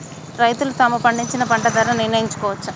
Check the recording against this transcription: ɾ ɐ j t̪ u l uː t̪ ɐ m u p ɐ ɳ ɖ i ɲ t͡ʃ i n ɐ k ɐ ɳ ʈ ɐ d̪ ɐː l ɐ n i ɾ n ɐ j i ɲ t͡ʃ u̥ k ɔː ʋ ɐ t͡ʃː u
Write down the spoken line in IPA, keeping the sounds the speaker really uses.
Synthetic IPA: ɾ ɐ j t̪ u l u t̪ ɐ m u p ɐ ɳ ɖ i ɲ t͡ʃ i n ɐ p ɐ ɳ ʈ ɐ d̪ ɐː ɾ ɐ n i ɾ n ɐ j i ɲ t͡ʃ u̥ k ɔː ʋ ɐ t͡ʃː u

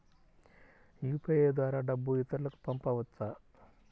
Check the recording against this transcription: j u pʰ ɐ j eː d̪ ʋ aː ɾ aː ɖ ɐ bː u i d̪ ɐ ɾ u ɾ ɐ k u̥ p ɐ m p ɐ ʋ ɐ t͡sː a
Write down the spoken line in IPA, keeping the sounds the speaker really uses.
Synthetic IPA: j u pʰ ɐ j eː d̪ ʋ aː ɾ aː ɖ ɐ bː u i t̪ ɐ ɾ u l ɐ k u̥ p ɐ m p ɐ ʋ ɐ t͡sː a

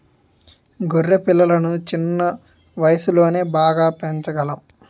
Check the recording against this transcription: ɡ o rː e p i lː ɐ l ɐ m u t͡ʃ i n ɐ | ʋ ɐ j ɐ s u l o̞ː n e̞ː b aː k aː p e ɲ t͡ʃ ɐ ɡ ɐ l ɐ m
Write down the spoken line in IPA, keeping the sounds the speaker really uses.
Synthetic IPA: ɡ o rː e p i lː ɐ l ɐ n u t͡ʃ i nː ɐ | ʋ ɐ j ɐ s u l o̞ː n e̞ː b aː ɡ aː p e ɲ t͡ʃ ɐ ɡ ɐ l ɐ m

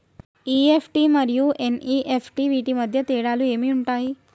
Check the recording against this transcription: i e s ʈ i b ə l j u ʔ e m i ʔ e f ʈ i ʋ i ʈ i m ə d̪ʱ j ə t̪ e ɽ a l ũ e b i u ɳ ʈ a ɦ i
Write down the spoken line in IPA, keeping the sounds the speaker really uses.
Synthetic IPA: i e f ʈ i m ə ɾ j u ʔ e n i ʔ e f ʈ i ʋ i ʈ i m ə d̪ʱ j ə t̪ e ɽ a l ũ e m i u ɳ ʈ a ɦ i

